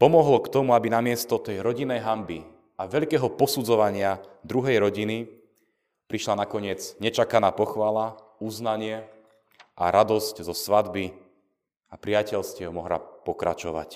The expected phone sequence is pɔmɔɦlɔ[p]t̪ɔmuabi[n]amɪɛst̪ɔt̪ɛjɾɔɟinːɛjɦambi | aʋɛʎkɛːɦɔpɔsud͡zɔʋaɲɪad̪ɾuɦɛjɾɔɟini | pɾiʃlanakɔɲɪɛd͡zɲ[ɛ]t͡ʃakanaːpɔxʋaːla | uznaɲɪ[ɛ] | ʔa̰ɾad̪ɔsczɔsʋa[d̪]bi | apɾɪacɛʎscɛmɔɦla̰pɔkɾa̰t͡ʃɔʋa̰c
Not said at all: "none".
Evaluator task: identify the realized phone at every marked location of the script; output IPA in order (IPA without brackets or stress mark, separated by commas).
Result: k, n, ɛ, ɛ, d̪